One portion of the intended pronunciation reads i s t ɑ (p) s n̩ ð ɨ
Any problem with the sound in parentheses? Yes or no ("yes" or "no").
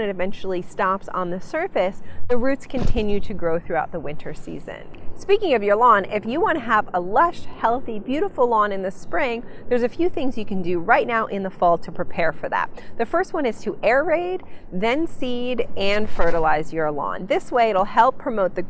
no